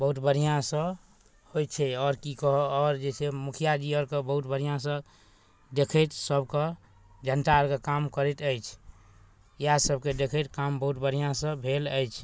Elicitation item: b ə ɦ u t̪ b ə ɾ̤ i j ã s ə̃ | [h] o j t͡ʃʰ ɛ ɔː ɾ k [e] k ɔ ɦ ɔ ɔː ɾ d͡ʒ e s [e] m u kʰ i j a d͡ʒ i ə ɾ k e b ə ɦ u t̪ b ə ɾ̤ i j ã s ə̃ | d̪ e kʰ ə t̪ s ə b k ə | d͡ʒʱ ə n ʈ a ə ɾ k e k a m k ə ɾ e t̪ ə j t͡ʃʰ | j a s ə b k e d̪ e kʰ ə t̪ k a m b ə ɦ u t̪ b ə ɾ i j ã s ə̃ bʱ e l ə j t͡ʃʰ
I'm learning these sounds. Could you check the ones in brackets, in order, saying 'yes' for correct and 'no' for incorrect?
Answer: yes, no, yes

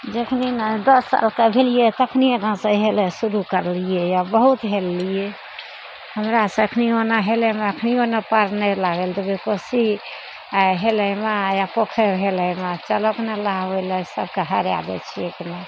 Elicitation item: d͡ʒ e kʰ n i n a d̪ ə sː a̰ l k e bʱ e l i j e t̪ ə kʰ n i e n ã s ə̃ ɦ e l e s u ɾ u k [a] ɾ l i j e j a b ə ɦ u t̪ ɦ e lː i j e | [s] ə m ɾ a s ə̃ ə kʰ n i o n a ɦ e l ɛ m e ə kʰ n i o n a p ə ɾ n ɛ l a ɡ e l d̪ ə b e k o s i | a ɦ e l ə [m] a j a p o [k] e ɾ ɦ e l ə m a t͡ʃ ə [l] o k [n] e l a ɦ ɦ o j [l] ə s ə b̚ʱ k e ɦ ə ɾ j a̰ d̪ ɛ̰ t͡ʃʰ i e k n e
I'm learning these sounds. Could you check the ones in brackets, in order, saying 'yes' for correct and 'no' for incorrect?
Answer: no, no, yes, no, yes, yes, yes

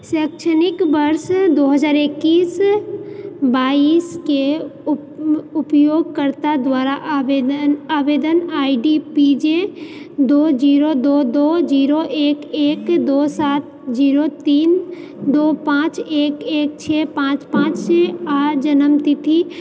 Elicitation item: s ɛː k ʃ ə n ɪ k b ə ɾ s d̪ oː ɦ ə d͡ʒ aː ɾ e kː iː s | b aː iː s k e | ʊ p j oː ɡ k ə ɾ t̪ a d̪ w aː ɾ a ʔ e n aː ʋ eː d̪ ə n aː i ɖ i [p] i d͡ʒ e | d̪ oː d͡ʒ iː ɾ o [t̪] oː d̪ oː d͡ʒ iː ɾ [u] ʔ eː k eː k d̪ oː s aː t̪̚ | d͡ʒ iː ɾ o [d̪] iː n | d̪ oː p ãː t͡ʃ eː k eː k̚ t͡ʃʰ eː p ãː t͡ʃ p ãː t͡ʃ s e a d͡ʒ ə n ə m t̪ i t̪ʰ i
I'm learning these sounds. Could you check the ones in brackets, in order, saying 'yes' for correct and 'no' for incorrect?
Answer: yes, no, no, no

